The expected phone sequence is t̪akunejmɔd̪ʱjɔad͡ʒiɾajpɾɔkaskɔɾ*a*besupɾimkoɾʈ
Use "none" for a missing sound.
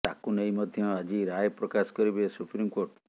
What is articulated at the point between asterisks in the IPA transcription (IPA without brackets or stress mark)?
i